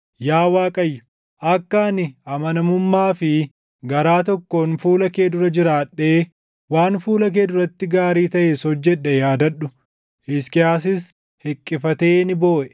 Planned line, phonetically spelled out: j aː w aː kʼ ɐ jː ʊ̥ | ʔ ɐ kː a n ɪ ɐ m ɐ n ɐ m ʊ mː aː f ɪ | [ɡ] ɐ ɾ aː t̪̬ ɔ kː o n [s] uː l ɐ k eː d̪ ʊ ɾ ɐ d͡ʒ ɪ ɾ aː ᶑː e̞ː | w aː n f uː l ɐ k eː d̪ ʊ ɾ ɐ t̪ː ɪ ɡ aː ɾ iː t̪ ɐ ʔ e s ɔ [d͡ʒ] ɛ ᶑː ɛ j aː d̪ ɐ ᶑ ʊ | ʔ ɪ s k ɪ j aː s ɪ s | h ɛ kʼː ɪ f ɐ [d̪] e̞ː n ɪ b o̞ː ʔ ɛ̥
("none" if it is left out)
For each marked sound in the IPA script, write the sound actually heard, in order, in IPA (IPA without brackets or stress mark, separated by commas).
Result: ɡ, f, d͡ʒː, t̪